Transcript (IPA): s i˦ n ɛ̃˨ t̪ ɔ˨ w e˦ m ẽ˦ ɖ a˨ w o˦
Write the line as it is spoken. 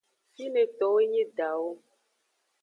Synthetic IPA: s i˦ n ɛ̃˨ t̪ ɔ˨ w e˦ ɲ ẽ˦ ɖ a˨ w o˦